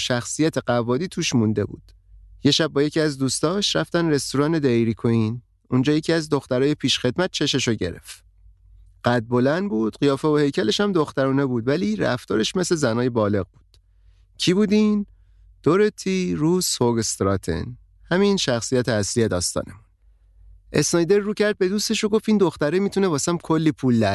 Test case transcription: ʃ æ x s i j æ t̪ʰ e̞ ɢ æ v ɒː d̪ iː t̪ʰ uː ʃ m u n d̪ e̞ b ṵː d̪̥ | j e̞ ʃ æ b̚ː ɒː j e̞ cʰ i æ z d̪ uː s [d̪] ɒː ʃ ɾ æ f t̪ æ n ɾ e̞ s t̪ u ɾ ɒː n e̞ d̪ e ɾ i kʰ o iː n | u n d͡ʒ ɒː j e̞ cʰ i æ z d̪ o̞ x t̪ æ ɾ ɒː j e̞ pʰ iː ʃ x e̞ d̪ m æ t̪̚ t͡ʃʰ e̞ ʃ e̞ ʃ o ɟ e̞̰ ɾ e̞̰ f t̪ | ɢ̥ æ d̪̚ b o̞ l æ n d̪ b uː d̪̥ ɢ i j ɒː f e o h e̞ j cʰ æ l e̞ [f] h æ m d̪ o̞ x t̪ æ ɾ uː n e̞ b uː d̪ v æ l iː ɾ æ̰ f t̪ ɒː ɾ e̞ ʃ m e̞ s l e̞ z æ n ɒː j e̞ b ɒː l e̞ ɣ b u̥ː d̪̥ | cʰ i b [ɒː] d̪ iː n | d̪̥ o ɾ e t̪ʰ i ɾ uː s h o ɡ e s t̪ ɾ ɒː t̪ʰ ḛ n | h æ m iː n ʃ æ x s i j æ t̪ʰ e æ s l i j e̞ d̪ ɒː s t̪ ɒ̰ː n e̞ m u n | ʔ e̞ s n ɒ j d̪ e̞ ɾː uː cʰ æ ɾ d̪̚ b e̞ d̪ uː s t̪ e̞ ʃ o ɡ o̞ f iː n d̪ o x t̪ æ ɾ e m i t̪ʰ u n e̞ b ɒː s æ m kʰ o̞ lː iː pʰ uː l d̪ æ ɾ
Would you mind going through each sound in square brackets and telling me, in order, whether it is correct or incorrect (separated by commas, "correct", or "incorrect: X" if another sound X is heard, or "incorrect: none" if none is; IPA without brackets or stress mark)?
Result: incorrect: t̪, incorrect: ʃ, incorrect: uː